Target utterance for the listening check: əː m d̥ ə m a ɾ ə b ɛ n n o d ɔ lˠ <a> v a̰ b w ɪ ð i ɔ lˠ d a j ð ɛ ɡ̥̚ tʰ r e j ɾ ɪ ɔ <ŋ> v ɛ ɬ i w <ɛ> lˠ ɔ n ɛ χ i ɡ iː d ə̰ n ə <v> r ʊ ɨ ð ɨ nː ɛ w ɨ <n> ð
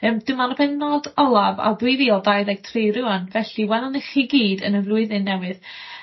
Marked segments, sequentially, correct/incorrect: correct, incorrect, correct, correct, incorrect

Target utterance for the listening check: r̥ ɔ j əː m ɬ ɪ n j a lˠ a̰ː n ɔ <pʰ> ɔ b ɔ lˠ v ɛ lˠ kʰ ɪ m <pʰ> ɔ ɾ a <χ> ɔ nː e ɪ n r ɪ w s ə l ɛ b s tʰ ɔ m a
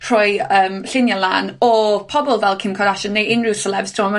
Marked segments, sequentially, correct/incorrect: correct, incorrect, incorrect

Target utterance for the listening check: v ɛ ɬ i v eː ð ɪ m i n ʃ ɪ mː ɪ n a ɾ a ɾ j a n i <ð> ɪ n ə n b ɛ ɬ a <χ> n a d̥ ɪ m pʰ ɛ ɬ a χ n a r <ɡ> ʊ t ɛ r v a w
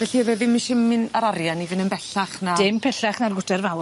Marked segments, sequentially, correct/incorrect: incorrect, correct, correct

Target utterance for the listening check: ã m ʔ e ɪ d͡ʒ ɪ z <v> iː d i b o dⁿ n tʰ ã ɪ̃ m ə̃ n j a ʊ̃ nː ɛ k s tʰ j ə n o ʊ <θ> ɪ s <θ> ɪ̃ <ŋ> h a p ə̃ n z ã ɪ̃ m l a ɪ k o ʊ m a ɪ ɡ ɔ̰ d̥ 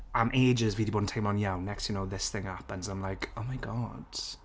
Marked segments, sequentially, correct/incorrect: correct, incorrect, correct, correct

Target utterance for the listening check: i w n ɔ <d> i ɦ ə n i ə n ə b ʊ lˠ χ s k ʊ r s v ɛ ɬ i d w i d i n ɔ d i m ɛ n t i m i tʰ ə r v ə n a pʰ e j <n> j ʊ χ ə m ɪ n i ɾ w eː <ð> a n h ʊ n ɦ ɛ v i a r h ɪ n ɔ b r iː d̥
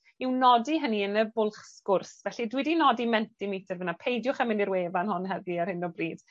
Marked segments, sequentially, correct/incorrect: correct, incorrect, incorrect

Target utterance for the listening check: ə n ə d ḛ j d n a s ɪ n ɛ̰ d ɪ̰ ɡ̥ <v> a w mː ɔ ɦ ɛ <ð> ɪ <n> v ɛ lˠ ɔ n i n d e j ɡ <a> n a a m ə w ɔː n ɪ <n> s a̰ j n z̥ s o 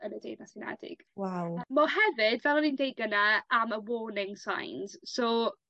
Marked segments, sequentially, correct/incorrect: incorrect, incorrect, incorrect, incorrect, incorrect

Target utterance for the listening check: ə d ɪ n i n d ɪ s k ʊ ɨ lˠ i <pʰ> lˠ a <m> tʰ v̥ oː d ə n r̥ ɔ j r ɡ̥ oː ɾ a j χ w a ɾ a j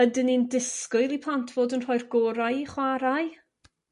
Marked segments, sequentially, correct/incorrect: correct, incorrect

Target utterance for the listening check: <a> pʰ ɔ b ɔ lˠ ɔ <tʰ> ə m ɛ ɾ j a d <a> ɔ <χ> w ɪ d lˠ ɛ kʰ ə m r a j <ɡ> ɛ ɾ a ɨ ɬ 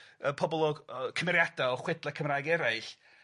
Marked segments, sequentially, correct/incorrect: incorrect, incorrect, correct, correct, correct

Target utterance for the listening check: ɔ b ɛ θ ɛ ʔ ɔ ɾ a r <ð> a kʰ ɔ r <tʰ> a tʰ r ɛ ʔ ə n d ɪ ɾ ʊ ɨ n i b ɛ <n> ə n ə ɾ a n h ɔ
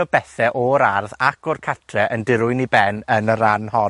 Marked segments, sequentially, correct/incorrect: correct, incorrect, correct

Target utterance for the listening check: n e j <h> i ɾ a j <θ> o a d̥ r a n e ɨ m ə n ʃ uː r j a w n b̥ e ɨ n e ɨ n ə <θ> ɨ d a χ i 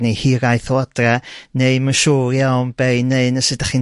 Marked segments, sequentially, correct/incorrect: correct, correct, incorrect

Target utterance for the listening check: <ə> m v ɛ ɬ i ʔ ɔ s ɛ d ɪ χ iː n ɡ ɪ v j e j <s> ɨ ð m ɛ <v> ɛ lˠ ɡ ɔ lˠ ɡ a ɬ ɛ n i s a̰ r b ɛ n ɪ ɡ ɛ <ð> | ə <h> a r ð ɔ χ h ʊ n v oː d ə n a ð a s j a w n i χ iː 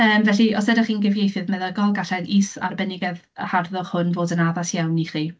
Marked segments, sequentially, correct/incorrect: incorrect, incorrect, incorrect, correct, correct

